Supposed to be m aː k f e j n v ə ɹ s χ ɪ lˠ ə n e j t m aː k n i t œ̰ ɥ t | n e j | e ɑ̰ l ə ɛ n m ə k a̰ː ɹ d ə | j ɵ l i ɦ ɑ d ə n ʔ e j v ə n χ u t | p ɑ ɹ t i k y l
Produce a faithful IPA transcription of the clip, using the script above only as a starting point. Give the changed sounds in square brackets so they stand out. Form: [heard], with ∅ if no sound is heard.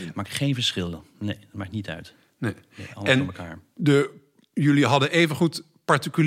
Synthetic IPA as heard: m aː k [χ] e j n v ə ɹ s χ ɪ lˠ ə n e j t m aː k n i t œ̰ ɥ t | n e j | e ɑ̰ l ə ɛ n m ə k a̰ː ɹ d ə | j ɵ l i ɦ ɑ d ə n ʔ e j v ə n χ u t | p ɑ ɹ t i k y l